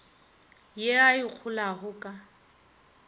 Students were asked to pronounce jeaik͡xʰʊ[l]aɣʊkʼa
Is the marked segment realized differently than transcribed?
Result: no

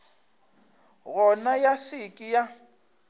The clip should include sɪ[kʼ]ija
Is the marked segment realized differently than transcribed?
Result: no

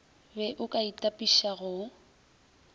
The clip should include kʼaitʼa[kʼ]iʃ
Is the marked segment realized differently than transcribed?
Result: yes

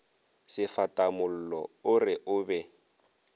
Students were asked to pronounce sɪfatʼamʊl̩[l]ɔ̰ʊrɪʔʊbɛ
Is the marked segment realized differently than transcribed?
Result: no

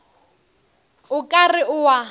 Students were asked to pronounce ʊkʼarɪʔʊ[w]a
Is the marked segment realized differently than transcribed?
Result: no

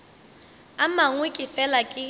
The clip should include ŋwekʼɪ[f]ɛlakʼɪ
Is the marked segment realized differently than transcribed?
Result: no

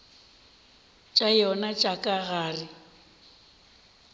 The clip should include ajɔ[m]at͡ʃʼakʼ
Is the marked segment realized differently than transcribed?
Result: yes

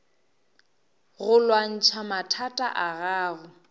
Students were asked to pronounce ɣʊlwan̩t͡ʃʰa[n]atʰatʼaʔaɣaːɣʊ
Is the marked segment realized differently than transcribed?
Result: yes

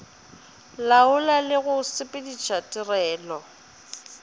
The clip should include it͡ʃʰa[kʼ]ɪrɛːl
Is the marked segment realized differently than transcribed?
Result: yes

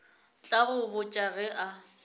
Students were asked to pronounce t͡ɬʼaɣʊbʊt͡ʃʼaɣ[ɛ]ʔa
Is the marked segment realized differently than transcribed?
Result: no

